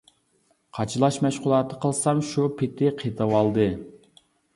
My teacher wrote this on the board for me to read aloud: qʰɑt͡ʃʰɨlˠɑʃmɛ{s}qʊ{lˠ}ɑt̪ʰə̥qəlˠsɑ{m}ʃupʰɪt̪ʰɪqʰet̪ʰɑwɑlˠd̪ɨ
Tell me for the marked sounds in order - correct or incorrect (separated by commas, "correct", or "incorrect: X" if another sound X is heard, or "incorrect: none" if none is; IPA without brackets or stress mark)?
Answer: incorrect: ʃ, correct, correct